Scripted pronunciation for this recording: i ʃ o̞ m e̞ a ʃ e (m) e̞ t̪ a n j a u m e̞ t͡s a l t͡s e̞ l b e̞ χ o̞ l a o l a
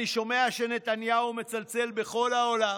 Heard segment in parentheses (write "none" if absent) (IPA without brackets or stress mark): n